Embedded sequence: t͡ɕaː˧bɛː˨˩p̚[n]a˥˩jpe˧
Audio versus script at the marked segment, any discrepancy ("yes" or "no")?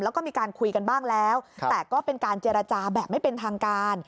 yes